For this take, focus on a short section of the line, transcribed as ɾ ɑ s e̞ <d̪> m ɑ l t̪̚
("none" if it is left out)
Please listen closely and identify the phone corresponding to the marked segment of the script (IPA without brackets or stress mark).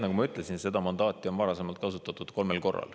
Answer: none